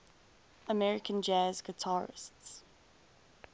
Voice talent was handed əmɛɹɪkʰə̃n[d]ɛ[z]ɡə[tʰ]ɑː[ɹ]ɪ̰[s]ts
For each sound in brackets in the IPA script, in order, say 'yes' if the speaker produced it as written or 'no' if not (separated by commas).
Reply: no, yes, yes, yes, yes